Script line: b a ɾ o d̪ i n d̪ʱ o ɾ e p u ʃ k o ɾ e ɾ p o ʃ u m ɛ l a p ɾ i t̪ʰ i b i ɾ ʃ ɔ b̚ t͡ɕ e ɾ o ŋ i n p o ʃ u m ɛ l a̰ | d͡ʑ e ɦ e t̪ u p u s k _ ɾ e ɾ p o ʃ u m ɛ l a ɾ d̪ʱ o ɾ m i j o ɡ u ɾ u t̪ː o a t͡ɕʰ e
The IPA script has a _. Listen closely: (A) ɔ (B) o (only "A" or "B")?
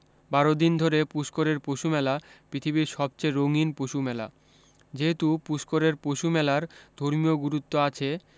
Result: B